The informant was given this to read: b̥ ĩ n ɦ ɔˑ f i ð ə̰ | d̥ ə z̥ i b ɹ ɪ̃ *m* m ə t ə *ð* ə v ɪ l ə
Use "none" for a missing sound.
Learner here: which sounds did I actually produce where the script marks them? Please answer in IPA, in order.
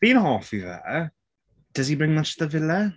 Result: ŋ, ð

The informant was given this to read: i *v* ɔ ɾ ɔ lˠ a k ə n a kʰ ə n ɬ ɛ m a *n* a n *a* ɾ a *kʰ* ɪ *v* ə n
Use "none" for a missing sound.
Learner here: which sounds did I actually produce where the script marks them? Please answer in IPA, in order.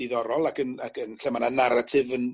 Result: ð, n, a, tʰ, v

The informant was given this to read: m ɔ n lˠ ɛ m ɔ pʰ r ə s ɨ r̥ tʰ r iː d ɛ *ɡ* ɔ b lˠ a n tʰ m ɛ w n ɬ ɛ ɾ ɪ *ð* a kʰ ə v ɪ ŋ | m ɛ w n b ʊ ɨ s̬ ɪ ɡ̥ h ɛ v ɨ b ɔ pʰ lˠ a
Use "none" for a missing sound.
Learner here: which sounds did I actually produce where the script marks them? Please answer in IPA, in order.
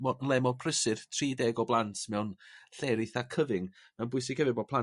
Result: ɡ, θ

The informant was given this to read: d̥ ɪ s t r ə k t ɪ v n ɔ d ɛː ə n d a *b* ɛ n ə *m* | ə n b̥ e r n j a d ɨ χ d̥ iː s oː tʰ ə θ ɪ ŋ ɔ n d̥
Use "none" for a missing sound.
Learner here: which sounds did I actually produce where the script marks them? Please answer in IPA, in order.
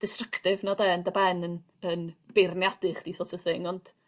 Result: b, n

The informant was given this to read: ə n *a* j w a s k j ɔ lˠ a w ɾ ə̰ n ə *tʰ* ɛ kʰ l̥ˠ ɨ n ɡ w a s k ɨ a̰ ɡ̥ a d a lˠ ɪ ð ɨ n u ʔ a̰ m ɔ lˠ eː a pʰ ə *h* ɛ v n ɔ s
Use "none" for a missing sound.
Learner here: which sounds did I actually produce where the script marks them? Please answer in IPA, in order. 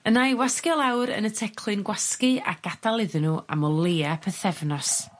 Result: a, tʰ, θ

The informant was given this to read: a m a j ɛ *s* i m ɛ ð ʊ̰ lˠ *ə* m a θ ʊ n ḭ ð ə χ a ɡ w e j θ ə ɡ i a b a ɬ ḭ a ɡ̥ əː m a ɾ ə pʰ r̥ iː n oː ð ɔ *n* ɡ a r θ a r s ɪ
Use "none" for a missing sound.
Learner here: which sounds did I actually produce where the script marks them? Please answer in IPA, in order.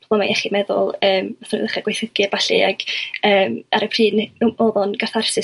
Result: χ, əː, n

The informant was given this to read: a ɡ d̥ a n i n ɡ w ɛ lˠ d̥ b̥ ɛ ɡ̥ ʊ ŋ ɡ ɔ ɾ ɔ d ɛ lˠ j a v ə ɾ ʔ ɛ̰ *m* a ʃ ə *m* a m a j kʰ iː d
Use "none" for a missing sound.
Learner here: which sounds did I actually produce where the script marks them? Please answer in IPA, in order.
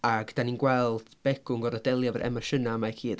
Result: m, n

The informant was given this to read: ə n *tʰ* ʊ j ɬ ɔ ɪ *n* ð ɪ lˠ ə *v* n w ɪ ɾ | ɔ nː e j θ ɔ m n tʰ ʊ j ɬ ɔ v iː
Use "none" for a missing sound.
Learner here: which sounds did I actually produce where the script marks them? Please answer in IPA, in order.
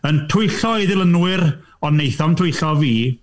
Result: tʰ, none, none

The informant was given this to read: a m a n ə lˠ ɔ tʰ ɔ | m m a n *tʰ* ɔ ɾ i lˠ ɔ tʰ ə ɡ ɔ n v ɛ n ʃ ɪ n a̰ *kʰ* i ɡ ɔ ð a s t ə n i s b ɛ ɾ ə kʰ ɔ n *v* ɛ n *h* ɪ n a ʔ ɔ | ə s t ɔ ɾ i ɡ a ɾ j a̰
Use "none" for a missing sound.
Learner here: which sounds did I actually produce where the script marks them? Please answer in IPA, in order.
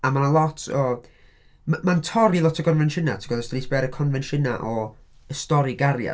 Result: tʰ, tʰ, v, ʃ

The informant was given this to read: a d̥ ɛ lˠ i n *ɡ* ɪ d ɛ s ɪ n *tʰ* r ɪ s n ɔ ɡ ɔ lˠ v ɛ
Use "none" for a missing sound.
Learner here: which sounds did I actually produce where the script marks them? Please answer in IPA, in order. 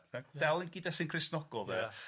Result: ɡ, kʰ

